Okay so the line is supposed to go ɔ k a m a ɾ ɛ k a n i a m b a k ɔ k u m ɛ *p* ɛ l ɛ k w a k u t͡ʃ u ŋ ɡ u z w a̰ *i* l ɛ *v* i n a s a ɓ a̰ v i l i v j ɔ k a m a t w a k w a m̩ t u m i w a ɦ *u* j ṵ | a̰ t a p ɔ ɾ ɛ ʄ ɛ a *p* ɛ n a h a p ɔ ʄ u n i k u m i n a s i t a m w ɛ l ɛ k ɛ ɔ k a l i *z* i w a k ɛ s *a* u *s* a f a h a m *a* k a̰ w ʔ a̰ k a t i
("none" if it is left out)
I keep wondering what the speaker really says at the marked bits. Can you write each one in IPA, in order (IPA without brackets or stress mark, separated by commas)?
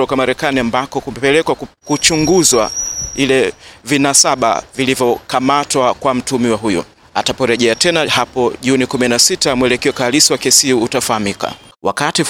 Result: p, i, v, u, t, s, i, t, i